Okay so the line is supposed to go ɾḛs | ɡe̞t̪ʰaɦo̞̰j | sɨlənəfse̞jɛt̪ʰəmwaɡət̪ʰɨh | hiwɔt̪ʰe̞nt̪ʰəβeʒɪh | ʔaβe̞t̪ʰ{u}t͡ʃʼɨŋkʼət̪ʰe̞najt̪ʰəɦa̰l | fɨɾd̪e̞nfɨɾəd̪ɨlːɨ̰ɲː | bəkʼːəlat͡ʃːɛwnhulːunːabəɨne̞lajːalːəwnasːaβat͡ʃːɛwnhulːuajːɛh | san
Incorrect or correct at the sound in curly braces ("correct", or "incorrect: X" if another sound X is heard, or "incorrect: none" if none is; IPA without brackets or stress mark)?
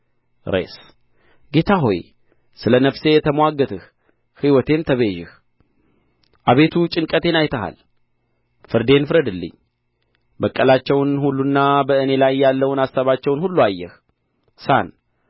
correct